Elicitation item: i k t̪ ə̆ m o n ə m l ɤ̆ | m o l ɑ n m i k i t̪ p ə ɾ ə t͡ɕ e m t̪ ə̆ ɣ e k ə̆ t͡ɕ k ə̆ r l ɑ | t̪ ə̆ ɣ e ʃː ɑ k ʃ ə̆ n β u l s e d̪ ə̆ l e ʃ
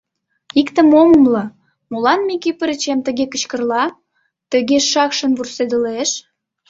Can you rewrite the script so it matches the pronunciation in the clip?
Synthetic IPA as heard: i k t̪ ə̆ m o m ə m l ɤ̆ | m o l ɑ n m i k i p ə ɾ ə t͡ɕ e m t̪ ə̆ ɣ e k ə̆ t͡ɕ k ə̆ r l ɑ | t̪ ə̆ ɣ e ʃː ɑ k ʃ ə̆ n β u r s e d̪ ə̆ l e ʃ